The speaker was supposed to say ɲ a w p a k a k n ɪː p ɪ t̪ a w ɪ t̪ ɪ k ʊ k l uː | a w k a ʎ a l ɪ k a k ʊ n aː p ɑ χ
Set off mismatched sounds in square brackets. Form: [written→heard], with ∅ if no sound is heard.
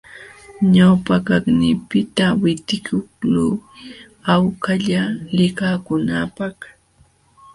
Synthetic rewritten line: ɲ a w p a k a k n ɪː p ɪ t̪ a w ɪ t̪ ɪ k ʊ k l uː | a w k a ʎ a l ɪ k a k ʊ n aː p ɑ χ